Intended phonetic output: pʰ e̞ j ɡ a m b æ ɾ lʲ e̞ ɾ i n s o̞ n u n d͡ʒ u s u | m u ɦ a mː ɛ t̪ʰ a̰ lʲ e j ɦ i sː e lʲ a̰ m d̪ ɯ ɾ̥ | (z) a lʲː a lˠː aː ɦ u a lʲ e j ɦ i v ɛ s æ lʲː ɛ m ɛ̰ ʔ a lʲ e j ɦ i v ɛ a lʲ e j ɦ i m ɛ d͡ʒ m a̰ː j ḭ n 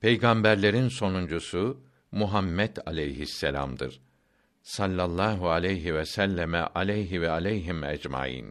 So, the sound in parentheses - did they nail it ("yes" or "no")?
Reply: no